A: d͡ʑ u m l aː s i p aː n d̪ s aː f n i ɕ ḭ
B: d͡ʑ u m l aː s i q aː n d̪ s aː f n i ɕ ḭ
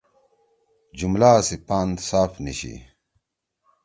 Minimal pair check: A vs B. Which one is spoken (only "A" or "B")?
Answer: A